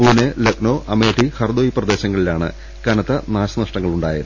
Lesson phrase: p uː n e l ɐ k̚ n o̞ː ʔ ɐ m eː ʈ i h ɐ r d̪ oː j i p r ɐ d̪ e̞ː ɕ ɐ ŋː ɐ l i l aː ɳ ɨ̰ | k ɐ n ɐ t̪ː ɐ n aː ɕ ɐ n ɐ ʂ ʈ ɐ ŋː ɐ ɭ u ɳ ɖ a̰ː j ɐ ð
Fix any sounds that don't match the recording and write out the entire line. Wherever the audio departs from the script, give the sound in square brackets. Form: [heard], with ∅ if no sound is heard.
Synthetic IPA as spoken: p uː n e l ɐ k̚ n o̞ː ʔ ɐ m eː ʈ i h ɐ r d̪ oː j i p r ɐ d̪ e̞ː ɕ ɐ ŋː ɐ [ɭ] i l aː ɳ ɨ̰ | k ɐ n ɐ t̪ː ɐ n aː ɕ ɐ n ɐ ʂ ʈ ɐ ŋː ɐ ɭ u ɳ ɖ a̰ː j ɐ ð